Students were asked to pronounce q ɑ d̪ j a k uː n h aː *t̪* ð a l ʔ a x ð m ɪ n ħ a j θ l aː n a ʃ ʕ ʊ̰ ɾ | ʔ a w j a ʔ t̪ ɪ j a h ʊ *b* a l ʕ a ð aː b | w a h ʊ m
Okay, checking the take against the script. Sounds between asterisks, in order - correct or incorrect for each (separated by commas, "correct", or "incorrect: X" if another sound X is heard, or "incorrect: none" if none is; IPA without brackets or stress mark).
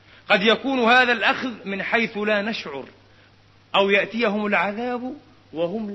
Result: incorrect: none, incorrect: m